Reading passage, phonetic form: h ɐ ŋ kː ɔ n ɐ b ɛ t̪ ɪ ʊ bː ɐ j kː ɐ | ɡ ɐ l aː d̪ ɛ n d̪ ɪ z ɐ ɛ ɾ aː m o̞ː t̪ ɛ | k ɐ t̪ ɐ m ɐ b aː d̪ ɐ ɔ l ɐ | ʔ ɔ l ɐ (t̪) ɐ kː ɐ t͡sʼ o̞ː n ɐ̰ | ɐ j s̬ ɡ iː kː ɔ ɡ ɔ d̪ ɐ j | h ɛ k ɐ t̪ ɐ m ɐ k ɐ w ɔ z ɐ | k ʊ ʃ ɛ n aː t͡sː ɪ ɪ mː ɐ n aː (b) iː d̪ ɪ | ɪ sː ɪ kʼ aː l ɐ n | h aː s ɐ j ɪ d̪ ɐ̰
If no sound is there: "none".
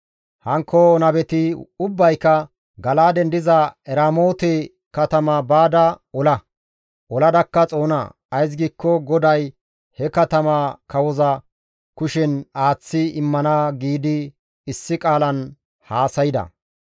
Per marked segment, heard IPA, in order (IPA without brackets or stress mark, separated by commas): d̪, ɡ